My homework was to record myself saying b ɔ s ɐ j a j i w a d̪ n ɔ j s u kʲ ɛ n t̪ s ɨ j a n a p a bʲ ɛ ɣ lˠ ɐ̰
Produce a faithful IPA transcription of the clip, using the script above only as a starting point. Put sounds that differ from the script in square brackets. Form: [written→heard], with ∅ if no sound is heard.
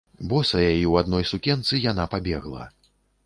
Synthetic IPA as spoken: b ɔ s ɐ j a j i w a d̪ n ɔ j s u kʲ ɛ n t̪ s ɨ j a n a p a bʲ ɛ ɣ lˠ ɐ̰